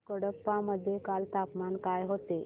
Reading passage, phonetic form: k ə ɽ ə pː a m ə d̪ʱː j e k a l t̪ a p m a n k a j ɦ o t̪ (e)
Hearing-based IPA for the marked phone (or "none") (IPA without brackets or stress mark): e